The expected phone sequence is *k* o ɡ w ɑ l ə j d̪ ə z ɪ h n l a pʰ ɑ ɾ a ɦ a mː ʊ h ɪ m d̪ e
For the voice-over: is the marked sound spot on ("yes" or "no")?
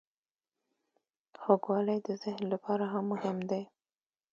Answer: no